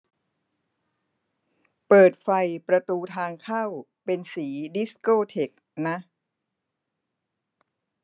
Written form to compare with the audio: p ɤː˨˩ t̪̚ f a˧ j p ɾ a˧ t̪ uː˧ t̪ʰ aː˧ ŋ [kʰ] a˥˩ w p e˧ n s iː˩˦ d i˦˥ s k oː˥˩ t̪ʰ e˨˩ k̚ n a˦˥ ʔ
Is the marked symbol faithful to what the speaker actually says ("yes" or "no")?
yes